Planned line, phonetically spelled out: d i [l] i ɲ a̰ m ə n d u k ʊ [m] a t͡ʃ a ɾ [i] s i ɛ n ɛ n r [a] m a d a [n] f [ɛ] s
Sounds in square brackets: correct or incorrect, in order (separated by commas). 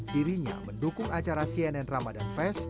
incorrect, incorrect, incorrect, correct, correct, correct